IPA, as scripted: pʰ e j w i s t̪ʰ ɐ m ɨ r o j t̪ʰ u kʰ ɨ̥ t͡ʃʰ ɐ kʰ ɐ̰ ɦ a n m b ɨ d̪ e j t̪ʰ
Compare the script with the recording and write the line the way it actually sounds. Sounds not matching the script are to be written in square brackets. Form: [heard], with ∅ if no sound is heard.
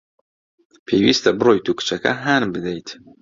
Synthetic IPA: pʰ e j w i s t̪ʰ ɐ [b] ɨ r o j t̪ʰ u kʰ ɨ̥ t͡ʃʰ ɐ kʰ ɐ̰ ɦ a n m b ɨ d̪ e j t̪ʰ